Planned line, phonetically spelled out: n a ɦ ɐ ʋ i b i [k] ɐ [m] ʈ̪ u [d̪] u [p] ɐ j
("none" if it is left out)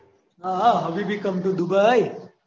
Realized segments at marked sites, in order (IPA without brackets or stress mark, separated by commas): k, m, d̪, b